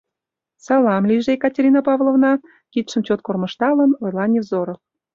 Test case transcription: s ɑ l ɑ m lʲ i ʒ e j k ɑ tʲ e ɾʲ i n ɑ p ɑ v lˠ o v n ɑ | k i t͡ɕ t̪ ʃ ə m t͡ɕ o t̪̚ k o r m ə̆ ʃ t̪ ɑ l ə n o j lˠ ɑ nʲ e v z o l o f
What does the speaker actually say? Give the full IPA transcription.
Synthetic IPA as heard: s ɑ l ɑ m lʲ i ʒ e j k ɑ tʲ e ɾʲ i n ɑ p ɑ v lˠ o v n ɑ | k i t̪ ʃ ə m t͡ɕ o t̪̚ k o r m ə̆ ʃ t̪ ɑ l ə n o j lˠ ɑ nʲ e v z o ɾ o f